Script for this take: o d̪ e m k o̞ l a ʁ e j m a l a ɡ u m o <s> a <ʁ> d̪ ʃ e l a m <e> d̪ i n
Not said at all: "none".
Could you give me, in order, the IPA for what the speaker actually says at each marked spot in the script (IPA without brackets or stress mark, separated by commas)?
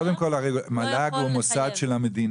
s, none, e